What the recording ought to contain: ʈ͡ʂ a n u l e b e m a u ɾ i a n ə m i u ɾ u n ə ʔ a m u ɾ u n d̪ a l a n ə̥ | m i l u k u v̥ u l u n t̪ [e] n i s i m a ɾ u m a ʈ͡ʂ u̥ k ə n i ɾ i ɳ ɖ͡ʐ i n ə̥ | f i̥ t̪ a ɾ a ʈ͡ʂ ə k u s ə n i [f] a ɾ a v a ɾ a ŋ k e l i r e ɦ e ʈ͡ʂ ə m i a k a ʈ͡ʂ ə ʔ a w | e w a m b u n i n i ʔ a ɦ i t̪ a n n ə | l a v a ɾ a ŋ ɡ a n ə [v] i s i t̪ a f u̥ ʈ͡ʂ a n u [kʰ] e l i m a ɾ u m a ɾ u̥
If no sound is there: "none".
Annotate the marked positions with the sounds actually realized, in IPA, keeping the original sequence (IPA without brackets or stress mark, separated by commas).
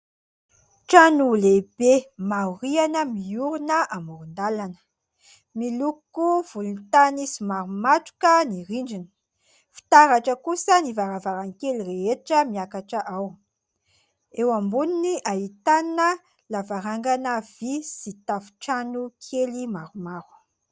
a, v, v, kʰ